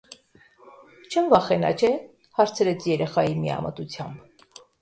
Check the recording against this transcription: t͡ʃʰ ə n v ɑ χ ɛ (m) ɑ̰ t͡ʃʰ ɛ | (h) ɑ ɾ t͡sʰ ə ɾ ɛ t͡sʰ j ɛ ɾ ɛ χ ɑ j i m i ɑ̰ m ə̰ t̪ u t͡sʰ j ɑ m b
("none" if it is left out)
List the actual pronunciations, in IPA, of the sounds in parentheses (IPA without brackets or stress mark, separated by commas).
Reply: n, h